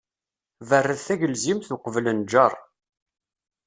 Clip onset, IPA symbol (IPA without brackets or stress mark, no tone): v